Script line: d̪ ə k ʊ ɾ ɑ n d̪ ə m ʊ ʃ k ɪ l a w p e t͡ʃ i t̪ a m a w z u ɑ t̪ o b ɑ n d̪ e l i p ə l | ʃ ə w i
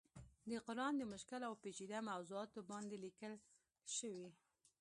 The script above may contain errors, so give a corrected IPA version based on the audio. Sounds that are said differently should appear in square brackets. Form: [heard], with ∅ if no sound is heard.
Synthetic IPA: d̪ ə [q] ʊ ɾ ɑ n d̪ ə m ʊ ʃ k ɪ l a w p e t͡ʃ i [d̪] a m a w z u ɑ t̪ o b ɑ n d̪ e l i [k] ə l | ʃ ə w i